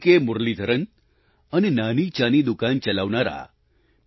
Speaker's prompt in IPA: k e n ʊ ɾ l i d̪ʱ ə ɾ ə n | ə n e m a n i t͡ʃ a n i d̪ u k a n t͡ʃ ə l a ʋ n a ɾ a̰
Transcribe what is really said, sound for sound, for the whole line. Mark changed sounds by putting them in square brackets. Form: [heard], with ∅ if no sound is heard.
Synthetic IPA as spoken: k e [m] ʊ ɾ l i d̪ʱ ə ɾ ə n | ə n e [n] a n i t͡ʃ a n i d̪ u k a n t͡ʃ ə l a ʋ n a ɾ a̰